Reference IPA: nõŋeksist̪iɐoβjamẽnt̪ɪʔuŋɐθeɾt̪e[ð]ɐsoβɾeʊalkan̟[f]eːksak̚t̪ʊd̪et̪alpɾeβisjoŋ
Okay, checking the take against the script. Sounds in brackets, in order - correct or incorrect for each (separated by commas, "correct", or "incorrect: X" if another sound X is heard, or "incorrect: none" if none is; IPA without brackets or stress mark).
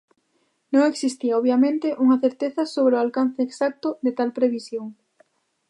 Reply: incorrect: θ, incorrect: θ